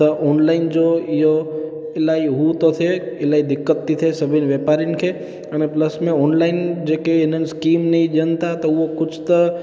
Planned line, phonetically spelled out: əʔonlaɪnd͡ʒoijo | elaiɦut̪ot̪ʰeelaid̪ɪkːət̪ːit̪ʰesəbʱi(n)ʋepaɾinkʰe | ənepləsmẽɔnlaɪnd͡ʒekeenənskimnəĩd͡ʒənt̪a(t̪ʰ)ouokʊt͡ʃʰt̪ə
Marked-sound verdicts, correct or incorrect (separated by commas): correct, incorrect